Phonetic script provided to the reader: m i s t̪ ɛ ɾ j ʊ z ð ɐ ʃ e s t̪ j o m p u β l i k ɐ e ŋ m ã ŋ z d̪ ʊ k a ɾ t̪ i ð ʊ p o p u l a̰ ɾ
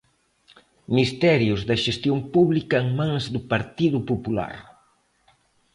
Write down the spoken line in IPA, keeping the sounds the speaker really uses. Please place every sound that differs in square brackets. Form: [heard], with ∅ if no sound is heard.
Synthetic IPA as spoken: m i s t̪ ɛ ɾ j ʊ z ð ɐ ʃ e s t̪ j o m p u β l i k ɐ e ŋ m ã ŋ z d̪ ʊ [p] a ɾ t̪ i ð ʊ p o p u l a̰ ɾ